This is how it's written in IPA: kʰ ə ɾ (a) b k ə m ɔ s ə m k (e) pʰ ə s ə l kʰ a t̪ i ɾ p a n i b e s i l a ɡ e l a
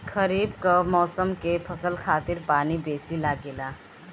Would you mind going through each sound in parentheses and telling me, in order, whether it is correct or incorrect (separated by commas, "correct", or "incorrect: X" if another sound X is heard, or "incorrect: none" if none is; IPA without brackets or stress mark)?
incorrect: i, correct